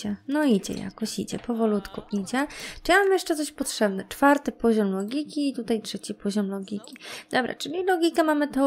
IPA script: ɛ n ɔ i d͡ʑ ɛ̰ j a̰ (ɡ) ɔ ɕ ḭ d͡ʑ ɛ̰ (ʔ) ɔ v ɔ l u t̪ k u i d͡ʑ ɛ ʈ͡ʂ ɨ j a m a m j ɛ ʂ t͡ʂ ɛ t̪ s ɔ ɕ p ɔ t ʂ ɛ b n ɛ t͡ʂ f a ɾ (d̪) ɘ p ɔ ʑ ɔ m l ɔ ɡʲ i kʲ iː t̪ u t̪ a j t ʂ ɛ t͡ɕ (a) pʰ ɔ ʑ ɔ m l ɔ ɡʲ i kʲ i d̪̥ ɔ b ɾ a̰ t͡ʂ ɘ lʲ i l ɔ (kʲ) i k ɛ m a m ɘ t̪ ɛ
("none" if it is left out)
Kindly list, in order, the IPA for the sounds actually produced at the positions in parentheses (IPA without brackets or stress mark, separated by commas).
k, p, t̪, i, ɡʲ